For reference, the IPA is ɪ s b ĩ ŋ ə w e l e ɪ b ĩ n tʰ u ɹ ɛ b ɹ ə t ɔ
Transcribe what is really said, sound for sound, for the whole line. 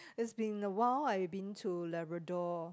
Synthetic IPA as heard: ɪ s b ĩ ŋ ə w a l a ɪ b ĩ n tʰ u l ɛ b ɹ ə d ɔ